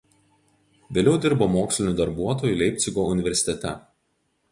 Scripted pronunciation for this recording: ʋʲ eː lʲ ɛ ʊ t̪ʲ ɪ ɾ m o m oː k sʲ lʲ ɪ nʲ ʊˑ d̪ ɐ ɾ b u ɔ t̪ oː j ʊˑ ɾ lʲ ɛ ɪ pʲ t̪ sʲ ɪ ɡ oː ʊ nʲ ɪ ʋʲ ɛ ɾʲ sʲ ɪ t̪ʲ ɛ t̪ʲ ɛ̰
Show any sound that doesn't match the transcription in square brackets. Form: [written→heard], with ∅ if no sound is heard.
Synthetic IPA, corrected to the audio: ʋʲ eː lʲ ɛ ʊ [t̪ʲ→d̪ʲ] ɪ ɾ [m→b] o m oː k sʲ lʲ ɪ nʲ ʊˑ d̪ ɐ ɾ b u ɔ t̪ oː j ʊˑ [ɾ→∅] lʲ ɛ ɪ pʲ t̪ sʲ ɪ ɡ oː ʊ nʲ ɪ ʋʲ ɛ ɾʲ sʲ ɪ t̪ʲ ɛ t̪ʲ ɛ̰